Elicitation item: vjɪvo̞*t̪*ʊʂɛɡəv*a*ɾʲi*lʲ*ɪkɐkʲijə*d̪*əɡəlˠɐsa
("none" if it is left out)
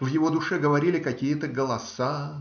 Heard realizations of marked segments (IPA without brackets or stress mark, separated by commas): d̪, ɐ, lʲ, t̪